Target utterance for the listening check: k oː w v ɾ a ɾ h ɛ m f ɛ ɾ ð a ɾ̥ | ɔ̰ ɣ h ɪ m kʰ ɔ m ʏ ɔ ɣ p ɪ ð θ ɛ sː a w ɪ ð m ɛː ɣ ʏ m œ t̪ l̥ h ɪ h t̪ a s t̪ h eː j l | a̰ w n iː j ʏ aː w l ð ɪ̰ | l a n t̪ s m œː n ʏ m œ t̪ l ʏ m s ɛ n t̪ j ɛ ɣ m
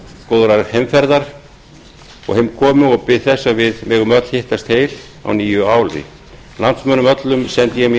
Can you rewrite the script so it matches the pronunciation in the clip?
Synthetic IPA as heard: k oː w ð ɾ a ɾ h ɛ m f ɛ ɾ ð a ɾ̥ | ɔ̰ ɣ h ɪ m kʰ ɔː m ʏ ɔ ɣ p ɪ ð θ ɛ sː a v ɪ ð m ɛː ɣ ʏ m œ t̪ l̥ h ɪ h t̪ a s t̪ h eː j l | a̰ w n iː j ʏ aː w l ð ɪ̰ | l a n t̪ s m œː n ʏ m œ t̪ l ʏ m s ɛ n t̪ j ɛ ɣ m